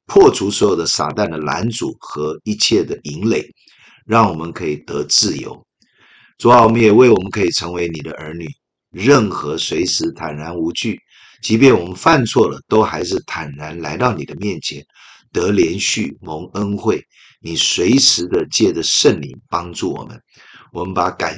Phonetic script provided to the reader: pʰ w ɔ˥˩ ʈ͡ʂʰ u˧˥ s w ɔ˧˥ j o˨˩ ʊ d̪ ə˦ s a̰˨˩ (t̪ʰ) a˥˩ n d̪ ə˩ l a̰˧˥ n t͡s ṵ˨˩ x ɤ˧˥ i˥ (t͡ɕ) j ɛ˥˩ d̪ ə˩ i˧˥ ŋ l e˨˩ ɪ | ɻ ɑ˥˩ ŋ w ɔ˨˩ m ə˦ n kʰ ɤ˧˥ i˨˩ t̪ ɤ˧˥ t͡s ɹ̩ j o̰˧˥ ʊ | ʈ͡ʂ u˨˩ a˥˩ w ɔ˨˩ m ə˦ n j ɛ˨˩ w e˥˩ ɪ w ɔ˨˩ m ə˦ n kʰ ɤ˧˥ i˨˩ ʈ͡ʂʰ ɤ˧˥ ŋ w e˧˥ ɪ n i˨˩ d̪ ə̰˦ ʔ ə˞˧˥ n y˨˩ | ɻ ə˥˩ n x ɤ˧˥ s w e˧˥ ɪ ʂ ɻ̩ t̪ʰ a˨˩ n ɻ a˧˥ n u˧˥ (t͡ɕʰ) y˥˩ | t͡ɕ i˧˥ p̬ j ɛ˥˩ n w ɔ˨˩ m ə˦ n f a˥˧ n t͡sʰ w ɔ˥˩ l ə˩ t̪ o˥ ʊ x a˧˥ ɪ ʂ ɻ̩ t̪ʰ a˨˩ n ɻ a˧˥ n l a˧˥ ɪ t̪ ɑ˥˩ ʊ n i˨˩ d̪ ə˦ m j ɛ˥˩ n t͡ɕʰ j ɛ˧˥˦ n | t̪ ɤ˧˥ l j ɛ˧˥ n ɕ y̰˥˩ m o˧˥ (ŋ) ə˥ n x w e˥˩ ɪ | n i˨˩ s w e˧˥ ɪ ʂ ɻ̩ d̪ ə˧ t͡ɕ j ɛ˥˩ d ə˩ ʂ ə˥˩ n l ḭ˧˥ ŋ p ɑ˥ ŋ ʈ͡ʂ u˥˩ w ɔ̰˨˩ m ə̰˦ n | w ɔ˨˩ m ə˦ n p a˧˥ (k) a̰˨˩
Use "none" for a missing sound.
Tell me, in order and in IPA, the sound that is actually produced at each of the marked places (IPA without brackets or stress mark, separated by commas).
t̪, t͡ɕʰ, t͡ɕ, ŋ, k